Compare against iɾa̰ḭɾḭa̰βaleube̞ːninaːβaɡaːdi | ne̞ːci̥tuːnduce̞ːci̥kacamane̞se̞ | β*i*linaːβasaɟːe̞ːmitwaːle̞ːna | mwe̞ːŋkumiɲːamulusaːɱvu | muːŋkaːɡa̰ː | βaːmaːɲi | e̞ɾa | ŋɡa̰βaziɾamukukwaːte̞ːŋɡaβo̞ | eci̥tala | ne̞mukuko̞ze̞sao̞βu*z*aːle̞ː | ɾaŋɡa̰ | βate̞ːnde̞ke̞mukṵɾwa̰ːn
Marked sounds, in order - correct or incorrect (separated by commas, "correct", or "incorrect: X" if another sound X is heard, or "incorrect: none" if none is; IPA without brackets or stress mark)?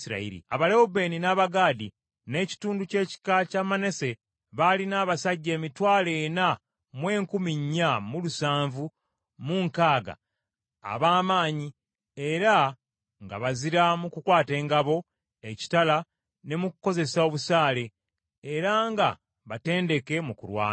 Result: incorrect: a, incorrect: s